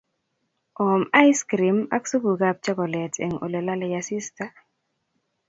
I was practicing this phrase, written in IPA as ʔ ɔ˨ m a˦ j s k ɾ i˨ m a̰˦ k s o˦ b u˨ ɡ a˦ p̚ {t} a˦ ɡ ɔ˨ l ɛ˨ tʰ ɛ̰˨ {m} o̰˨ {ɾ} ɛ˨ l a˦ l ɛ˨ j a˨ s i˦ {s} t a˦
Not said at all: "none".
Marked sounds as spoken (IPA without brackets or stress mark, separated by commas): t͡ʃ, ŋ, l, s